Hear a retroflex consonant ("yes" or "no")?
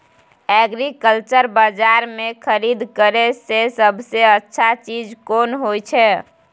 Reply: no